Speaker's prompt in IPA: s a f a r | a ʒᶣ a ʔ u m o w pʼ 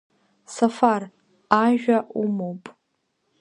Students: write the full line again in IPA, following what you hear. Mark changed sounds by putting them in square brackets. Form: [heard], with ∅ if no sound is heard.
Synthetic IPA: s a f a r | a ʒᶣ a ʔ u m o w pʼ